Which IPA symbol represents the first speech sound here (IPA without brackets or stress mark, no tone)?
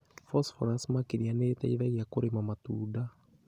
f